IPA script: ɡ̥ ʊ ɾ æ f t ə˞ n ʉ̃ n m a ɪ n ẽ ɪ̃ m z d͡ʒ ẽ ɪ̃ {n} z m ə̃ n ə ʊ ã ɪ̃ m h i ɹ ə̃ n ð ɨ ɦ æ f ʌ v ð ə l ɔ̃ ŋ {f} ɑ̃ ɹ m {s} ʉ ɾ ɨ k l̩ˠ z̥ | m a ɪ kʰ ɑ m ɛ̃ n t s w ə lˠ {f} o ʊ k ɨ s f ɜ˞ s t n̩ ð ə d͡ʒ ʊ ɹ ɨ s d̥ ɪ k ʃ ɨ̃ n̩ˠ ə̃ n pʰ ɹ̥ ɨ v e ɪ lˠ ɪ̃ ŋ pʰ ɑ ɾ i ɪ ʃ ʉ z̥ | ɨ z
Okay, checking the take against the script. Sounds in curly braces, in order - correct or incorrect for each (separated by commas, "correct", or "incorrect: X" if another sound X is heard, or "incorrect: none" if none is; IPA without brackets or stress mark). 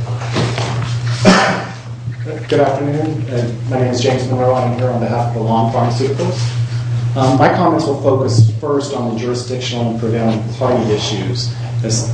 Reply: incorrect: m, correct, correct, correct